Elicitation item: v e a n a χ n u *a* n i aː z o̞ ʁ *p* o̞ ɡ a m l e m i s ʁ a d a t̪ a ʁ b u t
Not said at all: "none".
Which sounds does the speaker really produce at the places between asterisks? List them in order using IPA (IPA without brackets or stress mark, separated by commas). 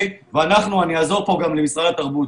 a, p